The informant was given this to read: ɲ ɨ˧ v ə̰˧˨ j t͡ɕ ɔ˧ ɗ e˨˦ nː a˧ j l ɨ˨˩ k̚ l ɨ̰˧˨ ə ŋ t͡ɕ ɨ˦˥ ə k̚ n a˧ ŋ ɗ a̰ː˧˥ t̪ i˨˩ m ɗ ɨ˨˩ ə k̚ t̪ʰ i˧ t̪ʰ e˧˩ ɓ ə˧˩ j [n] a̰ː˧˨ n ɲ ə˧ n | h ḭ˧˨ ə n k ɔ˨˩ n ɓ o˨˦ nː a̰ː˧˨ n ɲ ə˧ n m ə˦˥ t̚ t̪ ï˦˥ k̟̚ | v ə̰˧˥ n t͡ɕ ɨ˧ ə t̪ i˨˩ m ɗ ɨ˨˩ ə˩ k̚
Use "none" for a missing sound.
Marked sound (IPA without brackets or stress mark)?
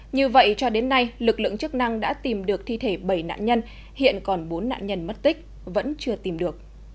n